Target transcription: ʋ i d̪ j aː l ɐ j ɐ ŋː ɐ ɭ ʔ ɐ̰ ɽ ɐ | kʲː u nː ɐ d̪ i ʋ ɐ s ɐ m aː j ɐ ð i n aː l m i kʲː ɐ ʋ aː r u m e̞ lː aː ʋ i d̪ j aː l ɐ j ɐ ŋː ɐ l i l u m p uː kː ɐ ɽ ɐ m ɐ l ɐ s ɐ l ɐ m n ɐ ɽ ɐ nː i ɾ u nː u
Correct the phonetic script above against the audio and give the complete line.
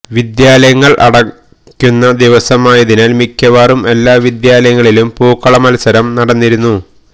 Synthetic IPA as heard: ʋ i d̪ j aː l ɐ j ɐ ŋː ɐ ɭ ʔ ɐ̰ ɽ ɐ | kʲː u nː ɐ d̪ i ʋ ɐ s ɐ m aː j ɐ ð i n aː l m i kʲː ɐ ʋ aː r u m e̞ lː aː ʋ i d̪ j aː l ɐ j ɐ ŋː ɐ ɭ i l u m p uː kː ɐ ɭ ɐ m ɐ l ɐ s ɐ ɾ ɐ m n ɐ ɽ ɐ nː i ɾ u nː u